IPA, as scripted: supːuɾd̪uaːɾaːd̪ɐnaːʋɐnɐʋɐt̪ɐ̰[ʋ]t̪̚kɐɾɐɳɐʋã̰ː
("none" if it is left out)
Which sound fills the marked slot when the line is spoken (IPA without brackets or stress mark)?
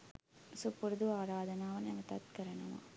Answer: none